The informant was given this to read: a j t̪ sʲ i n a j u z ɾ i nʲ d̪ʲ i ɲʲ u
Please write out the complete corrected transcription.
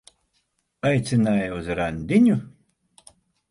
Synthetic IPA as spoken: a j t̪ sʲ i n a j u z ɾ a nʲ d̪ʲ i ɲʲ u